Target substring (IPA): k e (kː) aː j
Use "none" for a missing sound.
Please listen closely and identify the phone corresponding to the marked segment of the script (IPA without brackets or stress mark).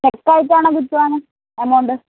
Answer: kː